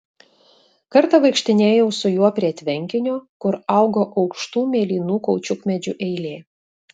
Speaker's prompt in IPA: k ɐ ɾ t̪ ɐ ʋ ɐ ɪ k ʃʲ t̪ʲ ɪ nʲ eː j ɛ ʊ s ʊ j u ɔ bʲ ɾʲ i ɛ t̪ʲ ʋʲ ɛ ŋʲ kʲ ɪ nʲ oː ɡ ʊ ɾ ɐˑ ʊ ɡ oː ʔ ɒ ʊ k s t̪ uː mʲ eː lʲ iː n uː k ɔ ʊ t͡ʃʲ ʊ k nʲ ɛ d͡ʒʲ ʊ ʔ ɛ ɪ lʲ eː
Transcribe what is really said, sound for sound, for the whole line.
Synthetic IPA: k ɐ ɾ t̪ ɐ ʋ ɐ ɪ k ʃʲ t̪ʲ ɪ nʲ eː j ɛ ʊ s ʊ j u ɔ pʲ ɾʲ i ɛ t̪ʲ ʋʲ ɛ ŋʲ kʲ ɪ nʲ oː k ʊ ɾ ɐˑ ʊ ɡ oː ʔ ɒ ʊ k ʃ t̪ uː mʲ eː lʲ iː n uː k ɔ ʊ t͡ʃʲ ʊ k mʲ ɛ d͡ʒʲ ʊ ʔ ɛ ɪ lʲ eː